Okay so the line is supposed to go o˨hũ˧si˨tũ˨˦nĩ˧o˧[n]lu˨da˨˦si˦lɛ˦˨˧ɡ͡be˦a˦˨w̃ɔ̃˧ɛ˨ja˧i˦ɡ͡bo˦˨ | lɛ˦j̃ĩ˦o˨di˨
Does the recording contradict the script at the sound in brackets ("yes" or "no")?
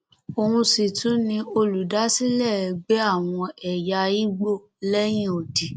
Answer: yes